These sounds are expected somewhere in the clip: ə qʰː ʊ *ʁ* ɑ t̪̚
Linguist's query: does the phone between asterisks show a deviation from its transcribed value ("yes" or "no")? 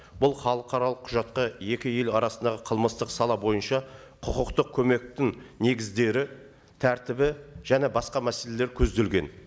yes